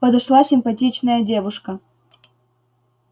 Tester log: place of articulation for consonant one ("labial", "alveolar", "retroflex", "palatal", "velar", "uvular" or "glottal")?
labial